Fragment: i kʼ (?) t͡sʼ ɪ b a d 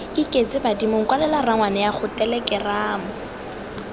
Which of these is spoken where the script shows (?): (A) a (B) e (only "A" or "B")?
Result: B